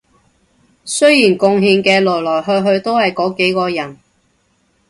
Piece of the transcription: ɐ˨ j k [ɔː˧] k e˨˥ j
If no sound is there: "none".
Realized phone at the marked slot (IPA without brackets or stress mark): ɔː˨˥